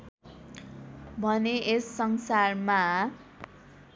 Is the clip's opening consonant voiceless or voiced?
voiced